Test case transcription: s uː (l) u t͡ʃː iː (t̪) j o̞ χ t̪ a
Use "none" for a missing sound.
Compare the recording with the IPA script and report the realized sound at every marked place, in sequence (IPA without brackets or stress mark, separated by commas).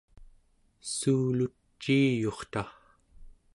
l, none